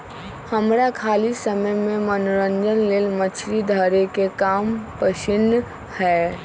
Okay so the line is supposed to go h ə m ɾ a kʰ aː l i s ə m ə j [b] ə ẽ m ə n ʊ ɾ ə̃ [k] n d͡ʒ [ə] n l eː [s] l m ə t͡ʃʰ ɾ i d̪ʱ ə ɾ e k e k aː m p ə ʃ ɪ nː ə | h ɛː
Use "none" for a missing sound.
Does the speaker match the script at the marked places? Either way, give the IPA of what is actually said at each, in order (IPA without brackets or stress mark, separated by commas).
m, none, ə, none